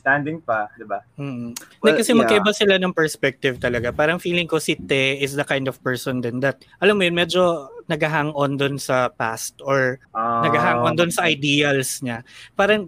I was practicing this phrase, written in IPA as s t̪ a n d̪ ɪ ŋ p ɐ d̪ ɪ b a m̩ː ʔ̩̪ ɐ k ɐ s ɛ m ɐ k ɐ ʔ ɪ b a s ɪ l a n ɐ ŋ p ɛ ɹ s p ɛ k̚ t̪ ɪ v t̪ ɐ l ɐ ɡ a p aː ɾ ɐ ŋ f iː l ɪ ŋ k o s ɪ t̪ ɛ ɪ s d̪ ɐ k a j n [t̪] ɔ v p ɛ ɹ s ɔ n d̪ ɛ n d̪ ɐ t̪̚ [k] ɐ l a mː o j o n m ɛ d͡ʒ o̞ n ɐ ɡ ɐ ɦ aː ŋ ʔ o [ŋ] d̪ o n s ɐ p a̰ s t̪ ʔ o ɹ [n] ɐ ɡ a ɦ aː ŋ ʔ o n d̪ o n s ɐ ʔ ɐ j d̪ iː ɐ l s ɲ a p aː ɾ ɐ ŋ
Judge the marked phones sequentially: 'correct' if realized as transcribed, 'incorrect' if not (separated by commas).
incorrect, incorrect, incorrect, correct